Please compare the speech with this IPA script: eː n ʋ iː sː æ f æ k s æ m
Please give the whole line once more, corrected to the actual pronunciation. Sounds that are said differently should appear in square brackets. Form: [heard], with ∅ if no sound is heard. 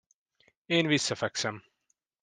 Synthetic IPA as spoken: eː n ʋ [i] sː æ f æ k s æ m